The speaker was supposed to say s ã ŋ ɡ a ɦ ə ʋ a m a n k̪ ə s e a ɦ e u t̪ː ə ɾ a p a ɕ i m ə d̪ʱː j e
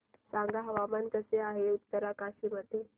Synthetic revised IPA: s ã ŋ ɡ a ɦ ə ʋ a m a n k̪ ə s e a ɦ e u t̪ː ə ɾ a k a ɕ i m ə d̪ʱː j e